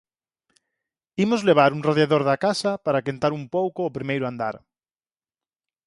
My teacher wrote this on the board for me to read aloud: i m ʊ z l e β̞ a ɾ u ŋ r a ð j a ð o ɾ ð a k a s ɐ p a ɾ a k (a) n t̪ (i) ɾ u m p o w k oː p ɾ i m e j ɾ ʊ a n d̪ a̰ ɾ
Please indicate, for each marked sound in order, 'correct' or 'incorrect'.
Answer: incorrect: e, incorrect: a

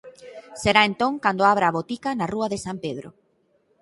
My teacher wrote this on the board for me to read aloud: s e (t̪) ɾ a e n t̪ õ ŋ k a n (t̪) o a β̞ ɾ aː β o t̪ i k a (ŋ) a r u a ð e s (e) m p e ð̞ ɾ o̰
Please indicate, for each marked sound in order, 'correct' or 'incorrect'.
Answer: incorrect: none, incorrect: d̪, incorrect: n, incorrect: a

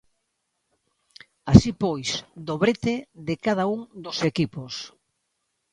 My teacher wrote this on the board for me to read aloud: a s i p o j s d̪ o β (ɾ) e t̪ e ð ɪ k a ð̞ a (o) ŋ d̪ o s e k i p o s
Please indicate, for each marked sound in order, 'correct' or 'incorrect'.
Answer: correct, incorrect: u

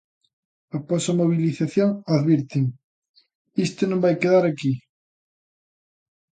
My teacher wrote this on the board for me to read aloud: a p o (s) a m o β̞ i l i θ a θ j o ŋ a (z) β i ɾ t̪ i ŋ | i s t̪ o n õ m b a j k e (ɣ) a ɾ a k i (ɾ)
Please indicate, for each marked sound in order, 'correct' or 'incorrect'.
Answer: correct, incorrect: ð, incorrect: ð, incorrect: none

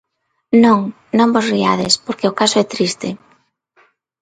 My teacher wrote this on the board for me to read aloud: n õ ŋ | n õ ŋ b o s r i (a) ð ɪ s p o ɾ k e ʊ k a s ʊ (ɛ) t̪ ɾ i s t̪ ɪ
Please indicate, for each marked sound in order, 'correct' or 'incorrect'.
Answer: correct, correct

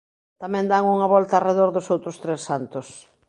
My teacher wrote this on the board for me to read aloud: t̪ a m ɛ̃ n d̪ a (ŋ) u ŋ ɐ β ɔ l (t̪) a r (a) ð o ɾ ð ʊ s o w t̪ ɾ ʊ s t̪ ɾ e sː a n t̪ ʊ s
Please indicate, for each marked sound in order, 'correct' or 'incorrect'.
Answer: correct, correct, incorrect: e

